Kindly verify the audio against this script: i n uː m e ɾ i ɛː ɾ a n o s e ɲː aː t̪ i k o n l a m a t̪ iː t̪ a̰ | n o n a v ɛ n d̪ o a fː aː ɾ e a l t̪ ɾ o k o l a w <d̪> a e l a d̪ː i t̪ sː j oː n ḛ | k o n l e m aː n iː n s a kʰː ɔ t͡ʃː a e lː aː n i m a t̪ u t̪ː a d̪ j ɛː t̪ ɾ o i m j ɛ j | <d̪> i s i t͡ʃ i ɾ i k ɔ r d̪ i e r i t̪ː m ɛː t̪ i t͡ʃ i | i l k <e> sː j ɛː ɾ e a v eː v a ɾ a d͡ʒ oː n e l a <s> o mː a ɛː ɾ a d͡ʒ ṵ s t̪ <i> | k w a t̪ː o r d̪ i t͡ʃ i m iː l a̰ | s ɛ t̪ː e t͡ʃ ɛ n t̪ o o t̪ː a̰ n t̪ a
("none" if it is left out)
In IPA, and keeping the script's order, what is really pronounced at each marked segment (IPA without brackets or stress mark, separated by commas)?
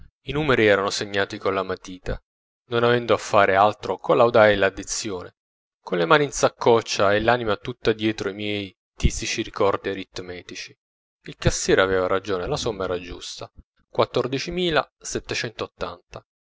d̪, t̪, a, s, a